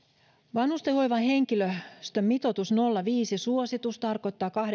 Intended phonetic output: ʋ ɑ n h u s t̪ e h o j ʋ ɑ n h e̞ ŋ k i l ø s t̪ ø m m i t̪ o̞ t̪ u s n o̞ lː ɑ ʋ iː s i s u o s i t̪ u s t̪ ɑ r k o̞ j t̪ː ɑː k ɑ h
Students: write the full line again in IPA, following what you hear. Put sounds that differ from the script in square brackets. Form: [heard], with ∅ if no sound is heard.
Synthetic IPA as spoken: ʋ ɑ n h u s t̪ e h o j ʋ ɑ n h e̞ ŋ k i l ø s t̪ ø m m i t̪ o̞ t̪ u s n o̞ lː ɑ ʋ iː s i s u o s i t̪ u s t̪ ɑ r k o̞ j t̪ː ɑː k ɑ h